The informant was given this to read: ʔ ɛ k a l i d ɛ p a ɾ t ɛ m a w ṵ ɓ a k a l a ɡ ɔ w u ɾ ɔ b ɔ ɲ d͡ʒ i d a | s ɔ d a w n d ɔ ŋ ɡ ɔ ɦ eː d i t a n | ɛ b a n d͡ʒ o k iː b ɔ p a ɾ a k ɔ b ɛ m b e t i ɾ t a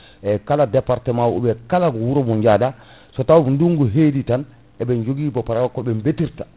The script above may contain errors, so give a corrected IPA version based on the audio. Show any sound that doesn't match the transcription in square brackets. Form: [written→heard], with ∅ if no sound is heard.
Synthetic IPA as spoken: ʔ ɛ k a l [i→a] d ɛ p a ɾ t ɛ m a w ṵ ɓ [a→ɛ] k a l a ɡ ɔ w u ɾ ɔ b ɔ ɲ d͡ʒ [i→a] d a | s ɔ [d→t] a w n d [ɔ→u] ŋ ɡ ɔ ɦ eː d i t a n | ɛ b [a→ɛ] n d͡ʒ o [k→ɡ] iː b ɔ p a ɾ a k ɔ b ɛ m b e t i ɾ t a